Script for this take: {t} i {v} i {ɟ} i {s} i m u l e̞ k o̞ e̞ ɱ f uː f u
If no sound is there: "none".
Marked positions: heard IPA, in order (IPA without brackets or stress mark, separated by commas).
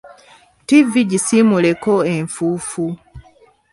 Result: t, v, ɟ, s